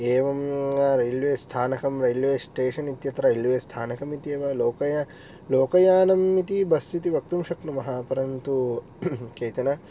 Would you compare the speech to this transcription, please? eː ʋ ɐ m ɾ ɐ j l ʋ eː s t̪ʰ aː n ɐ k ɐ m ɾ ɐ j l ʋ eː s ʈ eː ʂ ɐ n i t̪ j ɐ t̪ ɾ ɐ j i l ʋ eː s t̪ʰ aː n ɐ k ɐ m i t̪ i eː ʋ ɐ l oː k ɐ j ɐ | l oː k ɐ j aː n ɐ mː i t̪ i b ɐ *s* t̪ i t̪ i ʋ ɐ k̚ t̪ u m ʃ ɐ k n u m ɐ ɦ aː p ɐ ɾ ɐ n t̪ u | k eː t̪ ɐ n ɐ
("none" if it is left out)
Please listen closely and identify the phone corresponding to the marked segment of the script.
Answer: s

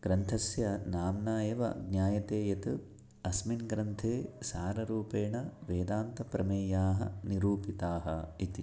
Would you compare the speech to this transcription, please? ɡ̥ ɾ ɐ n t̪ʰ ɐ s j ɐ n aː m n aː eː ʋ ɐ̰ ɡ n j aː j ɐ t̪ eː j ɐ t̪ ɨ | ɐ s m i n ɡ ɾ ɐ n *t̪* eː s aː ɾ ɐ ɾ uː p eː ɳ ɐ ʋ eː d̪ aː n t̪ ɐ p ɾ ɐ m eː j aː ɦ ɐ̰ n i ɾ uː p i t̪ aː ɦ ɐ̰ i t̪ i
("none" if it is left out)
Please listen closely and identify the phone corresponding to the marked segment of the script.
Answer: t̪ʰ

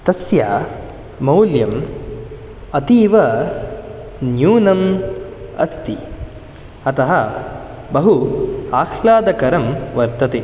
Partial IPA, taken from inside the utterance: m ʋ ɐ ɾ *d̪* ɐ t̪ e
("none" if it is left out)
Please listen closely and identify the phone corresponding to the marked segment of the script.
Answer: t̪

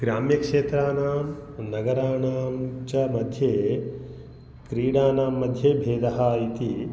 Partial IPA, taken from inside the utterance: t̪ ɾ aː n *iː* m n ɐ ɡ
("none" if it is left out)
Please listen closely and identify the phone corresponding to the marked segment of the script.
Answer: aː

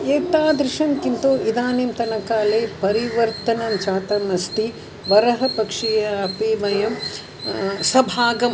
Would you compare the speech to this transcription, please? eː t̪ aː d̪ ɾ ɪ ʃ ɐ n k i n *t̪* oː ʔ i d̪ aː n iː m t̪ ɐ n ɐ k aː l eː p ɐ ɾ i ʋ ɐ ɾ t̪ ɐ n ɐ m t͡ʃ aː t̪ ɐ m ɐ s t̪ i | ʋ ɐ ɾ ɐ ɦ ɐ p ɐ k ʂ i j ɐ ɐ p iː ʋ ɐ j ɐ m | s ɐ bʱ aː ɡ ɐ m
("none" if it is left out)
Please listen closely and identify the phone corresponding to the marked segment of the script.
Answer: t̪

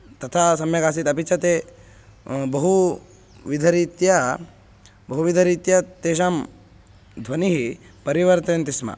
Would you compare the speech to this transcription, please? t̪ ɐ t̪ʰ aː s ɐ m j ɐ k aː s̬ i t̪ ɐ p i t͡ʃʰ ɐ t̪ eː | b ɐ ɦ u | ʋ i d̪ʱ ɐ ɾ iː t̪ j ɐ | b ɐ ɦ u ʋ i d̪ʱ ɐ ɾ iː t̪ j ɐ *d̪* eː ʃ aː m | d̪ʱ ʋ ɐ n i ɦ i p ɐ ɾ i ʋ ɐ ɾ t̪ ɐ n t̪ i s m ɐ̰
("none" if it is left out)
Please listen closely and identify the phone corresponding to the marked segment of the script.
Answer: t̪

